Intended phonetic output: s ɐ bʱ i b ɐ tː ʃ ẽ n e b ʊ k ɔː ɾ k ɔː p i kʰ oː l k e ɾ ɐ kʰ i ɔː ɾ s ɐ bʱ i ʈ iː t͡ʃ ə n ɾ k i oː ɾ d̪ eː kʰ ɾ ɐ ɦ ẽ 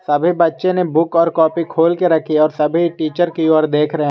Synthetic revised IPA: s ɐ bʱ i b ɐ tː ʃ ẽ n e b ʊ k ɔː ɾ k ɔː p i kʰ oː l k e ɾ ɐ kʰ i ɔː ɾ s ɐ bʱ i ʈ iː t͡ʃ ə ɾ k i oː ɾ d̪ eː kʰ ɾ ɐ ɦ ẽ